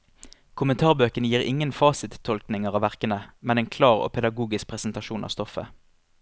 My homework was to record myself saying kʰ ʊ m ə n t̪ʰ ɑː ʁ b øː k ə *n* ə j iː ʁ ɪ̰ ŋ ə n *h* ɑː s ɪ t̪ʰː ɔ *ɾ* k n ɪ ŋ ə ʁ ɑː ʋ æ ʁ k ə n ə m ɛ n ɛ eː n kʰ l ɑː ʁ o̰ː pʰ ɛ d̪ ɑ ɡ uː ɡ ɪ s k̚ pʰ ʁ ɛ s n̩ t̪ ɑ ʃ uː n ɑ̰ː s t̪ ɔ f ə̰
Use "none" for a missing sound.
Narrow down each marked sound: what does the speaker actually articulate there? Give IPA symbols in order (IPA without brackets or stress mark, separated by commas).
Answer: n, f, l